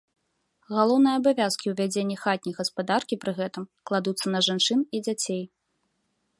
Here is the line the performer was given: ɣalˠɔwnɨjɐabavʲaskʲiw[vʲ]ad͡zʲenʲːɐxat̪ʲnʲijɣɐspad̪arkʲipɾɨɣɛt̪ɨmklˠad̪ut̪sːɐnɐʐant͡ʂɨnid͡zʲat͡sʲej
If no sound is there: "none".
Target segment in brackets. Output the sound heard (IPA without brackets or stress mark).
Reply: vʲ